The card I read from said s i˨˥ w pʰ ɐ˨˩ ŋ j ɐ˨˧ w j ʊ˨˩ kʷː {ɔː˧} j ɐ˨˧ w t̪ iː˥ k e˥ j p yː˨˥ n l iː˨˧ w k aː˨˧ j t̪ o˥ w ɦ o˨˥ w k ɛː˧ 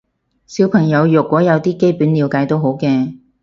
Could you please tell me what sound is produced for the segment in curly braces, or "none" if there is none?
ɔː˨˥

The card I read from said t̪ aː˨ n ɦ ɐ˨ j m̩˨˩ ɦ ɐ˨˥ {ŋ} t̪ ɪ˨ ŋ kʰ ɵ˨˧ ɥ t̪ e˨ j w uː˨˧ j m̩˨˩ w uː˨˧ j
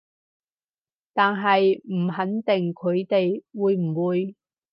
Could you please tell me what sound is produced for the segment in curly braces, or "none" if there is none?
n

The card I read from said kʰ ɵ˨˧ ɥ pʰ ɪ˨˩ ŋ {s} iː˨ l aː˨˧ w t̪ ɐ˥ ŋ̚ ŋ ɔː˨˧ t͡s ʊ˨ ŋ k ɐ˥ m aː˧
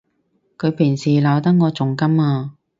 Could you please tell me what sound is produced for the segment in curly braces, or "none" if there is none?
s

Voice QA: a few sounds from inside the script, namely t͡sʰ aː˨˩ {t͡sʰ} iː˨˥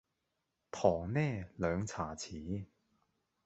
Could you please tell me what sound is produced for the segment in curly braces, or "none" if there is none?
t͡sʰ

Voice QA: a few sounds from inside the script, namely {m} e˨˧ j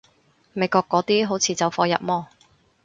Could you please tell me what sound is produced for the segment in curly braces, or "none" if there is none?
m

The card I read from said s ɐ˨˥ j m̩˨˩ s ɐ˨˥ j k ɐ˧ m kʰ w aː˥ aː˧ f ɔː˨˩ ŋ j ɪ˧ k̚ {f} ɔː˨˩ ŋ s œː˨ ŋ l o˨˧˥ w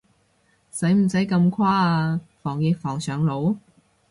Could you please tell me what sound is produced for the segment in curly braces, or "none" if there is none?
f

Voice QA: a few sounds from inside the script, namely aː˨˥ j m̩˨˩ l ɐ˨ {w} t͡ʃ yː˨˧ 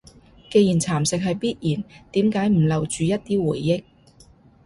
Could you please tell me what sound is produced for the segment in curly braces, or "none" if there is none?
w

